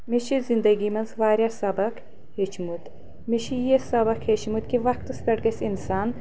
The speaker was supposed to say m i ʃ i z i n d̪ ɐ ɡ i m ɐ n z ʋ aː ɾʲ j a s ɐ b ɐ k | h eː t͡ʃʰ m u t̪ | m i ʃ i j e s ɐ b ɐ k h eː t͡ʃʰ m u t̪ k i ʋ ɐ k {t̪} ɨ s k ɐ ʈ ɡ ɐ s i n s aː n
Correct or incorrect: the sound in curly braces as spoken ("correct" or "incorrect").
correct